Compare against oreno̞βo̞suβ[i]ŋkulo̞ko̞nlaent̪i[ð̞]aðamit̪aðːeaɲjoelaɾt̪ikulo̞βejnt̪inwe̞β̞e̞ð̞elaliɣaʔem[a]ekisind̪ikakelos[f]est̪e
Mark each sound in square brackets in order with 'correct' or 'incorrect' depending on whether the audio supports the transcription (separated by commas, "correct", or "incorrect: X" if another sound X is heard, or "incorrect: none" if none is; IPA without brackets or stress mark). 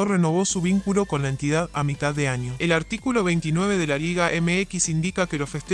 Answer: correct, correct, incorrect: e, correct